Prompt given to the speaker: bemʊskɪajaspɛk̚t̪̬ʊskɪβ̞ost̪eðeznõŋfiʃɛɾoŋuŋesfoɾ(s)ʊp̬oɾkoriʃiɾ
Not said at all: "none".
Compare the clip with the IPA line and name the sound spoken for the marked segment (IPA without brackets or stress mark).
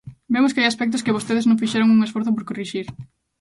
θ